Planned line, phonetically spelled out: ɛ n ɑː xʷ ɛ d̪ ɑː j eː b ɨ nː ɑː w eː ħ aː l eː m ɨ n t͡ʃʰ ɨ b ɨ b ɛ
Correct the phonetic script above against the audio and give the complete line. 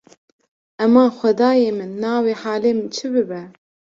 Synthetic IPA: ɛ m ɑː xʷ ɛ d̪ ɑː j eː m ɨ nː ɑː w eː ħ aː l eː m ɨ n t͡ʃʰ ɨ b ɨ b ɛ